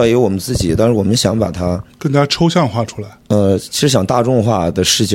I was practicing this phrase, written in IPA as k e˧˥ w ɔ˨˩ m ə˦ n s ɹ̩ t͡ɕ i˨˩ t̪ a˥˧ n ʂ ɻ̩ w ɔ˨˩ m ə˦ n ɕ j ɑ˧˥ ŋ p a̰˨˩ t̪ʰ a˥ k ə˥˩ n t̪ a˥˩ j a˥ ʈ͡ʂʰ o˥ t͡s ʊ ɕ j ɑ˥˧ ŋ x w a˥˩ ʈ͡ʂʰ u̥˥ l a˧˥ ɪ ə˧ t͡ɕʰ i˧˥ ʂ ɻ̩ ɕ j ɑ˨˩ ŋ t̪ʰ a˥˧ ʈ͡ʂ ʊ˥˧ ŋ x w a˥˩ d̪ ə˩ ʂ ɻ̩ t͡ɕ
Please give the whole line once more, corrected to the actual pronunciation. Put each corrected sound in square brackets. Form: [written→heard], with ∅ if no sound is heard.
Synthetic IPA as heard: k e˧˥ w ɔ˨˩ m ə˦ n [s→t͡s] ɹ̩ t͡ɕ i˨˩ t̪ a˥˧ n ʂ ɻ̩ w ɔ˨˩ m ə˦ n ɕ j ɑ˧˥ ŋ p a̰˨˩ t̪ʰ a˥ k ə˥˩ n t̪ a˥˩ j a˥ ʈ͡ʂʰ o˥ [t͡s→∅] ʊ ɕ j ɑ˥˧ ŋ x w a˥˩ ʈ͡ʂʰ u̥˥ l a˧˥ ɪ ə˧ t͡ɕʰ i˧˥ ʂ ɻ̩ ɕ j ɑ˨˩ ŋ [t̪ʰ→t̪] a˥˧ ʈ͡ʂ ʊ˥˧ ŋ x w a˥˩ d̪ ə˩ ʂ ɻ̩ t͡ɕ